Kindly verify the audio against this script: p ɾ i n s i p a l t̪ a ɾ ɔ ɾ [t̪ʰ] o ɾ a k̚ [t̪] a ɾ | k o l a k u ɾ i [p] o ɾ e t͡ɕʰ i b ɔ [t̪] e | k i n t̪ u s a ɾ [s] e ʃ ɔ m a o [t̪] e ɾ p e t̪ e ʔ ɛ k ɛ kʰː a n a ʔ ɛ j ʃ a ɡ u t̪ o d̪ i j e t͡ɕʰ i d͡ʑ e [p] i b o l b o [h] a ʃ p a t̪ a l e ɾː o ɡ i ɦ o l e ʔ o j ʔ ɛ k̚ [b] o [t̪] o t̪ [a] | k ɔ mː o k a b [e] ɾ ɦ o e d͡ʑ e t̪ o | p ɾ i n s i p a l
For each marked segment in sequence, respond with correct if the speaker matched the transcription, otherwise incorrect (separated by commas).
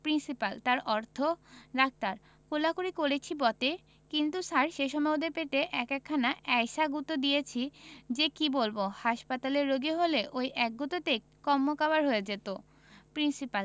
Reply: correct, correct, incorrect, correct, incorrect, incorrect, incorrect, correct, incorrect, correct, incorrect, incorrect